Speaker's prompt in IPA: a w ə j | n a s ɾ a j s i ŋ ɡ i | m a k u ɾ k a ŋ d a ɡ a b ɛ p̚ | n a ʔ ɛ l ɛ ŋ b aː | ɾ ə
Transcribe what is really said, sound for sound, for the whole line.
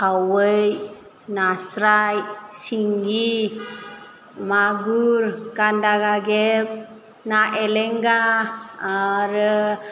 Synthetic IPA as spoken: a w ə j | n a s ɾ a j s i ŋ ɡ i | m a ɡ u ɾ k a n d a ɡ a ɡ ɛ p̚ | n a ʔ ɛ l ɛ ŋ ɡ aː | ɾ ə